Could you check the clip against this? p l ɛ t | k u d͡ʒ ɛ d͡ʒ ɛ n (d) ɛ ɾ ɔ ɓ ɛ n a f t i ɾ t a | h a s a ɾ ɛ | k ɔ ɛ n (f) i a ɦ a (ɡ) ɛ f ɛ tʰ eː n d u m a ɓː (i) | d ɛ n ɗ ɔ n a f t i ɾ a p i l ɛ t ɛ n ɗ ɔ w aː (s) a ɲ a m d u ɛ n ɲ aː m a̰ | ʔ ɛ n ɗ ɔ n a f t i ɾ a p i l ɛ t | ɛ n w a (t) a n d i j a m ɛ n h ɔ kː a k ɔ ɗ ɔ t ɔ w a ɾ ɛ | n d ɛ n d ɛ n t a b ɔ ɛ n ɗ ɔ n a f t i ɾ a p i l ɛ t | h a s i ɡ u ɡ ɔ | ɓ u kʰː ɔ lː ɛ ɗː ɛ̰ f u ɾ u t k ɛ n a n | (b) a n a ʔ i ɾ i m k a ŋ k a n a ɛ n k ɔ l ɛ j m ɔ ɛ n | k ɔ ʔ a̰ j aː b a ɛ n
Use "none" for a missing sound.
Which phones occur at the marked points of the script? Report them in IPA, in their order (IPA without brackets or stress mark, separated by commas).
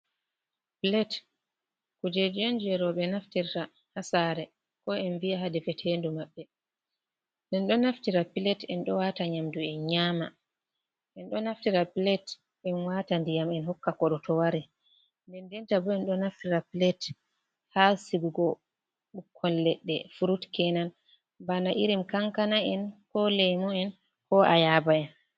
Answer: d͡ʒ, v, d, ɛ, t, t, b